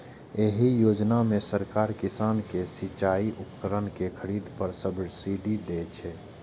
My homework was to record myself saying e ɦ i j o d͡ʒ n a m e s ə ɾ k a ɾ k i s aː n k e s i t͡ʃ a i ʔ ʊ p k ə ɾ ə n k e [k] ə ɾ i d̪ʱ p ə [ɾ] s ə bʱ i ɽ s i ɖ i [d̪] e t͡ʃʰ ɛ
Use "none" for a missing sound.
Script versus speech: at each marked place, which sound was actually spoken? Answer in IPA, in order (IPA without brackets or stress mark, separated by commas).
kʰ, ɾ, d̪